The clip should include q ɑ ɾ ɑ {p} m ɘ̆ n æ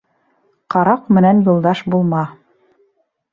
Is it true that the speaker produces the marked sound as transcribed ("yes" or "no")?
no